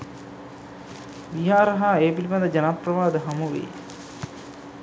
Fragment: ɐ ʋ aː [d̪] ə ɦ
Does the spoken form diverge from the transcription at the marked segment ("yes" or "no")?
no